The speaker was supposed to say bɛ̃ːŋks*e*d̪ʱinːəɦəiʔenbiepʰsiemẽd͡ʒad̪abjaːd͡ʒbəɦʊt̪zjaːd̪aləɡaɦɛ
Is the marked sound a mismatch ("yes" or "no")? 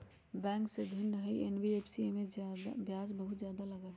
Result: no